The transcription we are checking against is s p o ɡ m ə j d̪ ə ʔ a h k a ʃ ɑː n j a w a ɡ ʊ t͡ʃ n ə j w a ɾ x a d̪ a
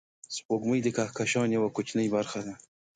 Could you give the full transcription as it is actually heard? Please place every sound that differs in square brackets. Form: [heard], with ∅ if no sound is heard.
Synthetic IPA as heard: s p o ɡ m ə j d̪ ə [k] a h k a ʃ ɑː n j a w a [k] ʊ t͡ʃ n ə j [b] a ɾ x a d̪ a